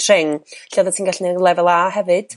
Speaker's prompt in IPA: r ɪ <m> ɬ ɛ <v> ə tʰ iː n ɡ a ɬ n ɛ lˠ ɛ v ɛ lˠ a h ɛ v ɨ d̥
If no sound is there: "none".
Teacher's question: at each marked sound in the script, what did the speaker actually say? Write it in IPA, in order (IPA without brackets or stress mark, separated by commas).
ŋ, ð